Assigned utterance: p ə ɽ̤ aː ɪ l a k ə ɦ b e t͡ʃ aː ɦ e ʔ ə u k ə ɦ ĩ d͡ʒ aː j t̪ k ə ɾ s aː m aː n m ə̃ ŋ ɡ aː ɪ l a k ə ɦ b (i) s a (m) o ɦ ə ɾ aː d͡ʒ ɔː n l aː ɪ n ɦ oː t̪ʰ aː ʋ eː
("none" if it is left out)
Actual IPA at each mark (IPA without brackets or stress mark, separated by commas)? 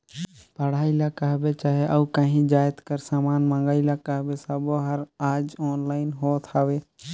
e, b